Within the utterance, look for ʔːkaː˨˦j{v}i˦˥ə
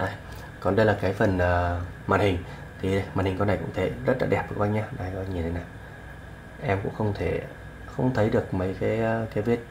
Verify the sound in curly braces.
correct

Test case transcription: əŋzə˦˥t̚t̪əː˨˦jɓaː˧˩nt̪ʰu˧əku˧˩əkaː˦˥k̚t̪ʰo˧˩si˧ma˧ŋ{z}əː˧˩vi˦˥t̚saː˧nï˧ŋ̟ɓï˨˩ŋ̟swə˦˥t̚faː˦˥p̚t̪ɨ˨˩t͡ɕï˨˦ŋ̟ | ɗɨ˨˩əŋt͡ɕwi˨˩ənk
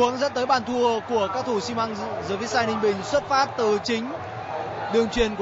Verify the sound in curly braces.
correct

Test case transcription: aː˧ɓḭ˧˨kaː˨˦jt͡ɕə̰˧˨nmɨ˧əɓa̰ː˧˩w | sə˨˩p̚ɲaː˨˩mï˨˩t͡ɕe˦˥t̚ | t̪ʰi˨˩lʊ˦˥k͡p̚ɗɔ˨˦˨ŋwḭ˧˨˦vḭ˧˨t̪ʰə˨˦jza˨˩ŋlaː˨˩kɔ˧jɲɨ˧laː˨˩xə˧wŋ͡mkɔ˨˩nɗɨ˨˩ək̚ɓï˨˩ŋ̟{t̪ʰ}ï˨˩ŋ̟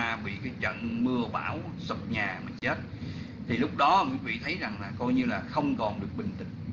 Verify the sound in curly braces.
incorrect: t̪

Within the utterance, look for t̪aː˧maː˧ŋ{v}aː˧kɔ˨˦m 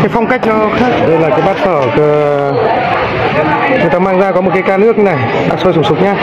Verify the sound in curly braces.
incorrect: z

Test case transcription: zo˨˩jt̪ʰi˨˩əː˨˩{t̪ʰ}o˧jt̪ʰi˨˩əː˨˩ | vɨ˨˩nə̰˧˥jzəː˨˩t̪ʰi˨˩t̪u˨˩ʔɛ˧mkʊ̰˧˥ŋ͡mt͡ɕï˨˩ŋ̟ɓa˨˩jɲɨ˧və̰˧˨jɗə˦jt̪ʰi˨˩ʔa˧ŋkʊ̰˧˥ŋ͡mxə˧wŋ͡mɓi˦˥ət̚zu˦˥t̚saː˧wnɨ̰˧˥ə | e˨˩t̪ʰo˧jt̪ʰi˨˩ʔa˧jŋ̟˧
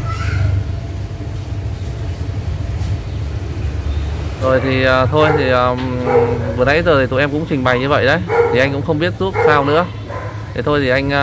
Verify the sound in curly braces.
correct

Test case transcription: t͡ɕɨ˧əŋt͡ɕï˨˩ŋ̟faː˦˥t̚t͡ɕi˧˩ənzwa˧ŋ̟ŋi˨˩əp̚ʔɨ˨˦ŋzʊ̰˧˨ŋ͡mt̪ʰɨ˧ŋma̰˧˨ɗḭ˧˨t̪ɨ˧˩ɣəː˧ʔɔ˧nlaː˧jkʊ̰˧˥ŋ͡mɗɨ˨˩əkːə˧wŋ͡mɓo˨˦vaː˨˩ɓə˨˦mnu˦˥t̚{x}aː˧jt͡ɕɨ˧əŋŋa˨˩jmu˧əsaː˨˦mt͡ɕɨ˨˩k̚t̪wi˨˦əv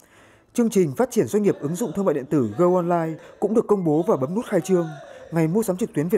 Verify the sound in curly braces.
correct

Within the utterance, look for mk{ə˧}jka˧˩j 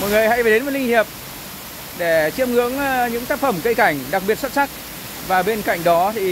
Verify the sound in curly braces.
correct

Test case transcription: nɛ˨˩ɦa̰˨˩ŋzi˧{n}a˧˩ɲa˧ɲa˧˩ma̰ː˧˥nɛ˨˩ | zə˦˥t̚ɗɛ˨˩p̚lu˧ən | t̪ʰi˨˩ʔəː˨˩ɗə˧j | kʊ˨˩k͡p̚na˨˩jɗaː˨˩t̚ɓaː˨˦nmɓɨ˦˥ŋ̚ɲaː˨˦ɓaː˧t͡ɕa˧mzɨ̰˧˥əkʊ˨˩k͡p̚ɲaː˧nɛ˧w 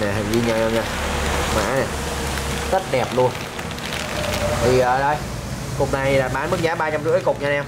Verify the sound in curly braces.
incorrect: ɲ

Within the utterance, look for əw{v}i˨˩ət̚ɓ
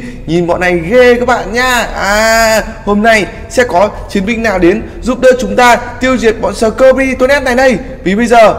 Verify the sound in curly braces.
incorrect: z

